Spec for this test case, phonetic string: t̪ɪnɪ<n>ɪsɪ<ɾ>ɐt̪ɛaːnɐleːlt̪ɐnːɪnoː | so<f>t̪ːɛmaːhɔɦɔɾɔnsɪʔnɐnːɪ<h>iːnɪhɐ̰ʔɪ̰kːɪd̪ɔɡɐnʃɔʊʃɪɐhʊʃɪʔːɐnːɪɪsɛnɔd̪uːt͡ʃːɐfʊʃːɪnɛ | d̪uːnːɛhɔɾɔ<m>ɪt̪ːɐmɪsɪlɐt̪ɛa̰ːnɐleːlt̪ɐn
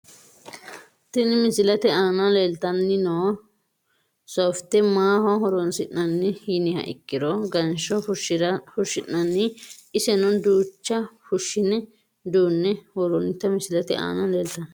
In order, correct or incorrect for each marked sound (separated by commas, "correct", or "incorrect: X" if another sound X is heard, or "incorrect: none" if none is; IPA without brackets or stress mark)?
incorrect: m, incorrect: l, correct, correct, incorrect: n